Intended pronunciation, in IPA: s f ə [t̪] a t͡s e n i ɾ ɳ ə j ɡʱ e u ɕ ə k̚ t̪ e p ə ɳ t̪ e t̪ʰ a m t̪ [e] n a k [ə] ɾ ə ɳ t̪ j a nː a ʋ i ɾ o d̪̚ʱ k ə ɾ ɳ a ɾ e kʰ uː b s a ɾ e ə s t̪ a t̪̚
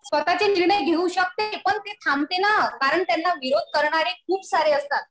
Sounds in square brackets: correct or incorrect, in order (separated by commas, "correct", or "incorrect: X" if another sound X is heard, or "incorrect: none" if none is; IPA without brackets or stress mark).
correct, correct, incorrect: a